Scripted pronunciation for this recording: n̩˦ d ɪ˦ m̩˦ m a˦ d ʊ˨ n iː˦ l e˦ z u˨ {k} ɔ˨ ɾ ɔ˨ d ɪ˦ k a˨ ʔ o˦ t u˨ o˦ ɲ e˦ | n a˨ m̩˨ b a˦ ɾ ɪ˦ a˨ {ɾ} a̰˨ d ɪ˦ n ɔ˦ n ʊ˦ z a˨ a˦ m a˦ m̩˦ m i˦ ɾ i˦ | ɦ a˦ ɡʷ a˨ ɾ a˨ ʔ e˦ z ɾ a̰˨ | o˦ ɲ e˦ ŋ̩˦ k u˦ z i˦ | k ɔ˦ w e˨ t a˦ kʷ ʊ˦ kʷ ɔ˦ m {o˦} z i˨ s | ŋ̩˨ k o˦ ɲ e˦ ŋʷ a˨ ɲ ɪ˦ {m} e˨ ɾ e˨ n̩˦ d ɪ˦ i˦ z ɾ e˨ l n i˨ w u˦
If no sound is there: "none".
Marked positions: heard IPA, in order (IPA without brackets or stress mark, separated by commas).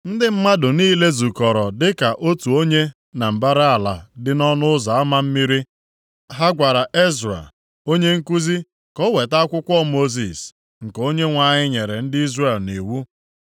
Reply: k, l, o˦, ɲ